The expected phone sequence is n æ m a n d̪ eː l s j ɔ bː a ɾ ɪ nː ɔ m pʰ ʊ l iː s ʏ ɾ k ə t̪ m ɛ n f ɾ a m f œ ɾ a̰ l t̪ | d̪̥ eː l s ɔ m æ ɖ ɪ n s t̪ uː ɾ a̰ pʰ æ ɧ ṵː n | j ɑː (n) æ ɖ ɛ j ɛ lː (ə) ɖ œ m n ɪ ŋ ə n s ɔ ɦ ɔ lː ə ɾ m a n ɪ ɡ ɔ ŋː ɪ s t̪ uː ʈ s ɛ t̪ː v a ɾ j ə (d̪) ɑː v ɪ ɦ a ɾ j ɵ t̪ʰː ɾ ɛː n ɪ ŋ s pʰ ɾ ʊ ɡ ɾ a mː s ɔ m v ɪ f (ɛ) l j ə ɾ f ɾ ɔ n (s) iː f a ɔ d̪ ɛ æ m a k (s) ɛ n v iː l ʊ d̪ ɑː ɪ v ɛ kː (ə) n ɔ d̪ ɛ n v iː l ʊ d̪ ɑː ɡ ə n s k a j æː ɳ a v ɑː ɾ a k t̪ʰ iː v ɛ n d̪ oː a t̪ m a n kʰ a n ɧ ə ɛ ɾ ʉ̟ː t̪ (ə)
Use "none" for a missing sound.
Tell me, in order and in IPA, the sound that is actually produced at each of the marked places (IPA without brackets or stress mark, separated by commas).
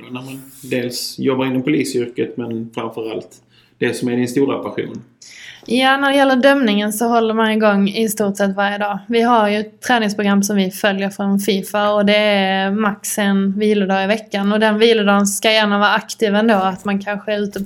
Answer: n, ə, d̪, œ, f, s, a, ə